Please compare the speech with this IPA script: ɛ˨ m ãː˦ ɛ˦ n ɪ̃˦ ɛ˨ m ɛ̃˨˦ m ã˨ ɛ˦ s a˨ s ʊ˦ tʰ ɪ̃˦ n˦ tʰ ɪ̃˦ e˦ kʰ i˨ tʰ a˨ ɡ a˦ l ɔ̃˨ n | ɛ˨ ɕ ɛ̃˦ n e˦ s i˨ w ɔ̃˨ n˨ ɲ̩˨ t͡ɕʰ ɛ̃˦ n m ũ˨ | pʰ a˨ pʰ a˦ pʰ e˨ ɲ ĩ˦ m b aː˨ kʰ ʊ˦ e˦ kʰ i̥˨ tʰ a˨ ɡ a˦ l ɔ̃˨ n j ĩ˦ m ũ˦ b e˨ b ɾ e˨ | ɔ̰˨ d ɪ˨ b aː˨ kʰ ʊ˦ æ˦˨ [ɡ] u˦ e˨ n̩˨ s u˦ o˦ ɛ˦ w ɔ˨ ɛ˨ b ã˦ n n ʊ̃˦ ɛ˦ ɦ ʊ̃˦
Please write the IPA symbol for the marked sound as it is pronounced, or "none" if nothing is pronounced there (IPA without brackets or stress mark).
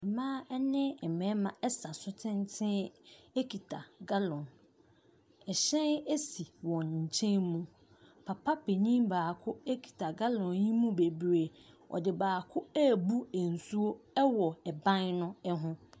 b